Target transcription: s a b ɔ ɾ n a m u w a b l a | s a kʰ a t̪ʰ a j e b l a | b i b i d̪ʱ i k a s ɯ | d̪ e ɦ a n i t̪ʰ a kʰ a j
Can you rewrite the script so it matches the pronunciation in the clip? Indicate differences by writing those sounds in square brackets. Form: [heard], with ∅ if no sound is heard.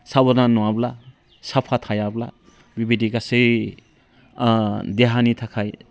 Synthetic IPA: s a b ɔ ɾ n a [n] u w a b l a | s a [pʰ] a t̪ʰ a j [a] b l a | b i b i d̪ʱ i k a s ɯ | d̪ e ɦ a n i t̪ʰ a kʰ a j